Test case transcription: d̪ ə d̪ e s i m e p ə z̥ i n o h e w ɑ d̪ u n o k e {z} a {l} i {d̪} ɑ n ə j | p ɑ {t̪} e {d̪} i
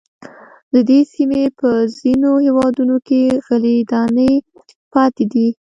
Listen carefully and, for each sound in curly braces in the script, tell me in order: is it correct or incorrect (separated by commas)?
incorrect, correct, correct, correct, correct